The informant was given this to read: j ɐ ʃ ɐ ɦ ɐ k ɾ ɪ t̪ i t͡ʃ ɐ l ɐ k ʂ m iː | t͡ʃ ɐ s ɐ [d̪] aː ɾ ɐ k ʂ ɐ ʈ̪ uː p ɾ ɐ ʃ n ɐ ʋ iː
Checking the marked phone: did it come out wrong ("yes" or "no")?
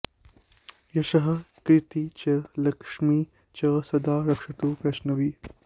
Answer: no